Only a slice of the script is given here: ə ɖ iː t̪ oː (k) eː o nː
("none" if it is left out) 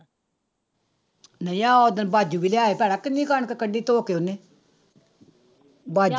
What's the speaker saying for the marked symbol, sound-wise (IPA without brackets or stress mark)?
k